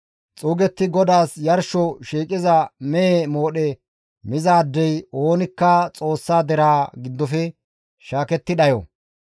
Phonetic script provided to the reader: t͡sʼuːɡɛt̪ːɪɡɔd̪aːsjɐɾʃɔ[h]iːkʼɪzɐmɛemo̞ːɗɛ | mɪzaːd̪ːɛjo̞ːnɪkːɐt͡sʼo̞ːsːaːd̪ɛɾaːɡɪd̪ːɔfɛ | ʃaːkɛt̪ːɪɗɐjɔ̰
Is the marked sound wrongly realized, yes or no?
yes